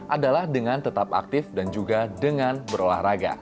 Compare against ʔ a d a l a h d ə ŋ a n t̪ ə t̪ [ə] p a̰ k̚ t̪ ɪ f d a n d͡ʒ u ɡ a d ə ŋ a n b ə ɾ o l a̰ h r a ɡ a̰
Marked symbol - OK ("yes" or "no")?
no